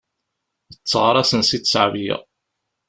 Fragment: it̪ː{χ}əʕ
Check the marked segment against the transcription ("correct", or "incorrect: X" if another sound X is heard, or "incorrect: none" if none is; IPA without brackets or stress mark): incorrect: s